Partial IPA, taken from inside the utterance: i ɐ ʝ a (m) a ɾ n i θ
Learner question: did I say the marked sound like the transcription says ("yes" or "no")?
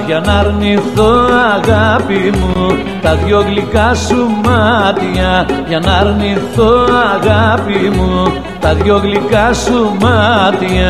no